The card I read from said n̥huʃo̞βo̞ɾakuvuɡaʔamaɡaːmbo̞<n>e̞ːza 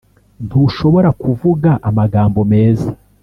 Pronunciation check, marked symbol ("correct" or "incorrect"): incorrect